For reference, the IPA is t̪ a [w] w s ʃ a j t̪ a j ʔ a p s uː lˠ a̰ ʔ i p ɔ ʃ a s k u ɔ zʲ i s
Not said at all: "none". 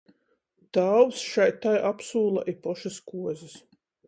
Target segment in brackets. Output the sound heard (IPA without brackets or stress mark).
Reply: w